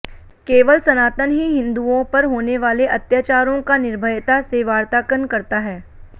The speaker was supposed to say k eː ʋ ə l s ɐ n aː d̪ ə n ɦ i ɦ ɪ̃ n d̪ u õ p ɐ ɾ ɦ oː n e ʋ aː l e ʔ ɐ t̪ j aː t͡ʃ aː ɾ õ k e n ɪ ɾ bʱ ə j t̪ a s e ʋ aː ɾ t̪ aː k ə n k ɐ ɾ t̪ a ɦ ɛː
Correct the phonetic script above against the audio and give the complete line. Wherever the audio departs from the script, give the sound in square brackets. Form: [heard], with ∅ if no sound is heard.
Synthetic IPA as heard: k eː ʋ ə l s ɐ n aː [t̪] ə n ɦ i ɦ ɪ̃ n d̪ u õ p ɐ ɾ ɦ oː n e ʋ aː l e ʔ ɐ t̪ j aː t͡ʃ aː ɾ õ k [a] n ɪ ɾ bʱ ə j t̪ a s e ʋ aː ɾ t̪ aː k ə n k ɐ ɾ t̪ a ɦ ɛː